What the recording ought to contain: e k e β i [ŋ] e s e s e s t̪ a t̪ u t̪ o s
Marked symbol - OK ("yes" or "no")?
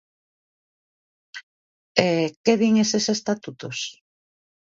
yes